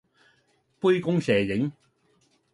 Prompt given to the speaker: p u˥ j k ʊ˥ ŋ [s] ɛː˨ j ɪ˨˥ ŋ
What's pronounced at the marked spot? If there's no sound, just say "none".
s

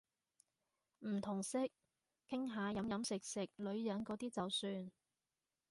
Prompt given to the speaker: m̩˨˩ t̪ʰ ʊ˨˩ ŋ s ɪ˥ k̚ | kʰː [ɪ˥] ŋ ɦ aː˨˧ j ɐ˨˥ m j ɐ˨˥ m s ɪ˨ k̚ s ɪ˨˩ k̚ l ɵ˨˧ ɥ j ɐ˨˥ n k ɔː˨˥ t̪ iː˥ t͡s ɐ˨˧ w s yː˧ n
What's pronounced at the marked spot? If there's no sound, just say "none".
ɪ˥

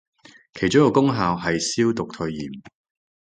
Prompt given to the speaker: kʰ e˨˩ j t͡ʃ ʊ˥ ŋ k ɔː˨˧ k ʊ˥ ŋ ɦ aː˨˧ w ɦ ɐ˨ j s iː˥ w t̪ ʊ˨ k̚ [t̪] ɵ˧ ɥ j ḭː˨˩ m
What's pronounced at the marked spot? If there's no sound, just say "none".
t̪ʰ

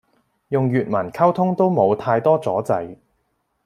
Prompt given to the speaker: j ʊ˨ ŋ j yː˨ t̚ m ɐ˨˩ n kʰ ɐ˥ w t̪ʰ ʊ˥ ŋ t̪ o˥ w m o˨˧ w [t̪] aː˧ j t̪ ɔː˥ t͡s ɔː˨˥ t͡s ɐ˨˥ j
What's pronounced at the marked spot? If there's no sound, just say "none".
t̪ʰ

